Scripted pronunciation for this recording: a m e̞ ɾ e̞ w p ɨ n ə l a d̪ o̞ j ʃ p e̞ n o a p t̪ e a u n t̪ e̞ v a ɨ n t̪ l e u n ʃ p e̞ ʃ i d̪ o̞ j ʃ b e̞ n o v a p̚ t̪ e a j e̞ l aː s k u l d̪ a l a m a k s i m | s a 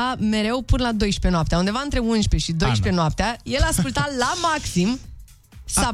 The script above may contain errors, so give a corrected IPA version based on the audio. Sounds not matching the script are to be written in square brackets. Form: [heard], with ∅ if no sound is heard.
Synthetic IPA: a m e̞ ɾ e̞ w p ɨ n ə l a d̪ o̞ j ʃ p e̞ n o a p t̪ e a u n [d̪] e̞ v a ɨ n t̪ [ɾ] e u n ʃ p e̞ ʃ i d̪ o̞ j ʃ [p] e̞ n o [∅] a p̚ t̪ e a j e̞ l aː s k u l [t̪] a l a m a k s i m | s a